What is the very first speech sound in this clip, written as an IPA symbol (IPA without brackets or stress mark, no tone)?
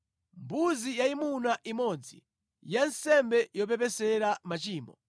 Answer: m